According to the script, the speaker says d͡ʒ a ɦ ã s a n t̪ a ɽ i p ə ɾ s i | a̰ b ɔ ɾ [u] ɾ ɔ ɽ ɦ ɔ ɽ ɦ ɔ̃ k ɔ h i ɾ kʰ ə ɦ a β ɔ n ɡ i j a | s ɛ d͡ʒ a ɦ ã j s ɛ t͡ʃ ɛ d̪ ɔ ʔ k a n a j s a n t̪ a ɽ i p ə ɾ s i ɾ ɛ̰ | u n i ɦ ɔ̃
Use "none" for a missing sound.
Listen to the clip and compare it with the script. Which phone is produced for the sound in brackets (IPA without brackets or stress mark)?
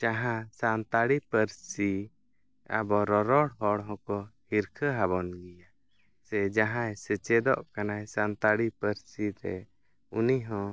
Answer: ɔ